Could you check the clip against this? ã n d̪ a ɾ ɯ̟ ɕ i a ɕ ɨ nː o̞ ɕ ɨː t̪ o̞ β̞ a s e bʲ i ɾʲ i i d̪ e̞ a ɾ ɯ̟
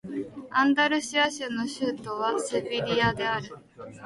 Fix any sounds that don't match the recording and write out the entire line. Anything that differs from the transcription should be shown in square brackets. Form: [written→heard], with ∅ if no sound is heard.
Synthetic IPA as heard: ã n d̪ a ɾ ɯ̟ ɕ i a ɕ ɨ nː o̞ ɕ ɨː t̪ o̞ β̞ a s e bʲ i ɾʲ i [i→a] d̪ e̞ a ɾ ɯ̟